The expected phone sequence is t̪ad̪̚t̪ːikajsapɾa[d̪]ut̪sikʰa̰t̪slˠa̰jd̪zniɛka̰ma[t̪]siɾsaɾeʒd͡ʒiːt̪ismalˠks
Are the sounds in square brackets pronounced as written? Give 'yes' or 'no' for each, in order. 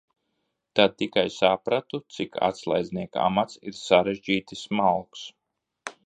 no, yes

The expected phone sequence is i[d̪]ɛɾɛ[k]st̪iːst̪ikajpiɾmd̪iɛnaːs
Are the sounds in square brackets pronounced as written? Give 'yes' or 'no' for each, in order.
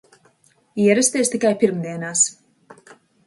no, no

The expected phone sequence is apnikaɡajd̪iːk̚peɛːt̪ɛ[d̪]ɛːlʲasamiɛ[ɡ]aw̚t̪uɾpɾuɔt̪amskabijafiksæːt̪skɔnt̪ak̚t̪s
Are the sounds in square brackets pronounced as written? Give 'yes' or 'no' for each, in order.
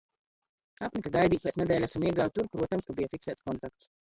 yes, yes

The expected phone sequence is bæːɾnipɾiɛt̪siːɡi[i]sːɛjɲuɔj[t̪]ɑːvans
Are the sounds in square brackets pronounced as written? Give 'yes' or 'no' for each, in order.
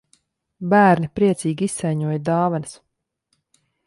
yes, no

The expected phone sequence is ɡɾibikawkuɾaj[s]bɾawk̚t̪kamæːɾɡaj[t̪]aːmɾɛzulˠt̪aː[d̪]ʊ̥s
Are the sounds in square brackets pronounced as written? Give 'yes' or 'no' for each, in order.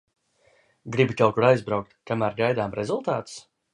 no, no, no

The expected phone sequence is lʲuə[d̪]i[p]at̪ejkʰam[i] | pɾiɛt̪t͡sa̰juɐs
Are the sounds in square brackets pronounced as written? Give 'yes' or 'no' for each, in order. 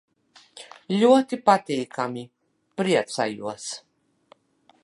no, yes, yes

